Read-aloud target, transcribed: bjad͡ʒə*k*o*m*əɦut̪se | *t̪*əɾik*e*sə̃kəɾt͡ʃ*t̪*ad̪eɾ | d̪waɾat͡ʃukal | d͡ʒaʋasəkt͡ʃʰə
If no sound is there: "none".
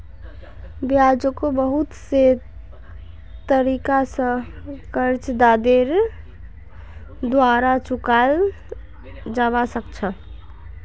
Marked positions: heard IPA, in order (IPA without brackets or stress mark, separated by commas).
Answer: k, b, t̪, a, d̪